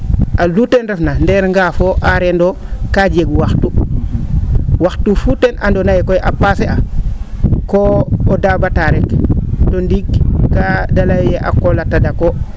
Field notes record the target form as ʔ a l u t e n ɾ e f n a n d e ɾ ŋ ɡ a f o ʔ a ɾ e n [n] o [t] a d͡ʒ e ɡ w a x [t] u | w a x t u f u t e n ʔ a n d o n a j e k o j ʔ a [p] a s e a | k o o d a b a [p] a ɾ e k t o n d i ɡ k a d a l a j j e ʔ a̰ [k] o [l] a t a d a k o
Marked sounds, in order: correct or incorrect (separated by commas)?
incorrect, incorrect, correct, correct, incorrect, correct, correct